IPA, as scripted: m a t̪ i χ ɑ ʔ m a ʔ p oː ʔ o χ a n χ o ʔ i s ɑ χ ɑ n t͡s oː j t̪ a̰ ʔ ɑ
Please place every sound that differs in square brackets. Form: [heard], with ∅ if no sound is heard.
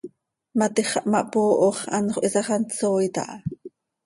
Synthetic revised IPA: m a t̪ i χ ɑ ʔ m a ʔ p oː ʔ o χ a n χ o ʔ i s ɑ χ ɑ n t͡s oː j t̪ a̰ ʔ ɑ